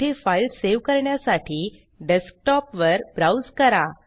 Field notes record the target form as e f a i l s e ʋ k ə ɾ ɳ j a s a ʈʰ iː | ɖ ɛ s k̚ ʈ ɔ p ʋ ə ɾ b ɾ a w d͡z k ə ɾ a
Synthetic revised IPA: e f a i l s e ʋ k ə ɾ ɳ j a s a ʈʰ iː | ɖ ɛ s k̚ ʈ ɔ p ʋ ə ɾ b ɾ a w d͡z k ə ɾ a